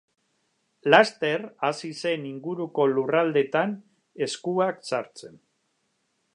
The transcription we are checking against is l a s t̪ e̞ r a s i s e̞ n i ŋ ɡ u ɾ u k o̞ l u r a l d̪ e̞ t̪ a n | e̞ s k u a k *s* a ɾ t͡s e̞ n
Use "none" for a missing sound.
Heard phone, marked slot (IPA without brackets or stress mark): s